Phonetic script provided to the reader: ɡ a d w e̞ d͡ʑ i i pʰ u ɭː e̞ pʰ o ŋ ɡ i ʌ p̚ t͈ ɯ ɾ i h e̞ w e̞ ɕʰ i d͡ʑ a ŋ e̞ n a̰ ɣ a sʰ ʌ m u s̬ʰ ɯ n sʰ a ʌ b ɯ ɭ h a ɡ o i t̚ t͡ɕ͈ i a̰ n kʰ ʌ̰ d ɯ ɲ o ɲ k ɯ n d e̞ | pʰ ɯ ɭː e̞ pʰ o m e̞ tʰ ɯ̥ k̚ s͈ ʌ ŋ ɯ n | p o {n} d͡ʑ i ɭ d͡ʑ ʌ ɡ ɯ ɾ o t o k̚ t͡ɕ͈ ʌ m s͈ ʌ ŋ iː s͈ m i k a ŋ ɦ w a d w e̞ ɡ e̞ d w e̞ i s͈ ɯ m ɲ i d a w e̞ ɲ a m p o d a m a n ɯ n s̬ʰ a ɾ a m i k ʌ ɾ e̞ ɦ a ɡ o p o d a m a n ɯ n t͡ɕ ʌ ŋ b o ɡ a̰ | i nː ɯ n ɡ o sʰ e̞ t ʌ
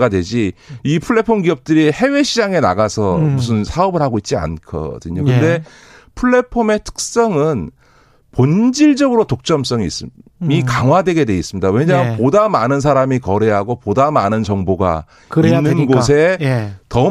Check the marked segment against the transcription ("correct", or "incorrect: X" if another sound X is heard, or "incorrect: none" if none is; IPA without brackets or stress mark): correct